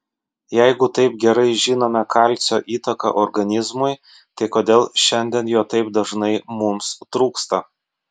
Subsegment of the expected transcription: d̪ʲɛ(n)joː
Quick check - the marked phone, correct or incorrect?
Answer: correct